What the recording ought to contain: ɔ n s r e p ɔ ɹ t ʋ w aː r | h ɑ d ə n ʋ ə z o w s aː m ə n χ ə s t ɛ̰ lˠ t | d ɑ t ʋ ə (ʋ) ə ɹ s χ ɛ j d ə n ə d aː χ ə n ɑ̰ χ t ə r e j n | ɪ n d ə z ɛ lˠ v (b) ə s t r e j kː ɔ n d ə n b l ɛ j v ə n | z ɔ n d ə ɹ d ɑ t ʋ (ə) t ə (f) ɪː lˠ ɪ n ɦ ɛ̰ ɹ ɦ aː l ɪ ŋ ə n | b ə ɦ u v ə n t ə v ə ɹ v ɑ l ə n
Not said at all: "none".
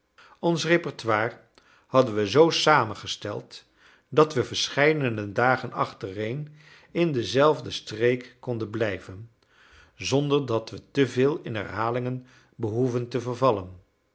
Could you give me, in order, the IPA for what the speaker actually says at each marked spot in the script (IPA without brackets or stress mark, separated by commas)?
v, d, ə, v